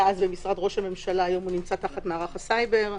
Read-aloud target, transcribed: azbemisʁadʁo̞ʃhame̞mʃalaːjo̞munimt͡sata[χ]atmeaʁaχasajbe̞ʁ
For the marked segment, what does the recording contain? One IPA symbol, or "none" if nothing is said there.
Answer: χ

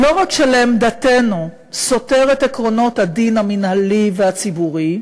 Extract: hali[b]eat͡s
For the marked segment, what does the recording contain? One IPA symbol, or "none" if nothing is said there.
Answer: v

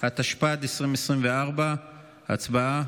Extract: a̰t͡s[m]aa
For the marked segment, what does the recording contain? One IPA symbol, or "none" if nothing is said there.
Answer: b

